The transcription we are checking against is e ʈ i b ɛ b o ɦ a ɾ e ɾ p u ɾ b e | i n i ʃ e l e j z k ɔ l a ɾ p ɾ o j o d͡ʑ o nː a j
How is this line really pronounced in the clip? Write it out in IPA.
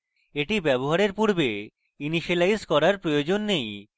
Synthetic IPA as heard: e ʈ i b ɛ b o ɦ a ɾ e ɾ p u ɾ b e | i n i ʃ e l a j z k ɔ ɾ a ɾ p ɾ o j o d͡ʑ o nː e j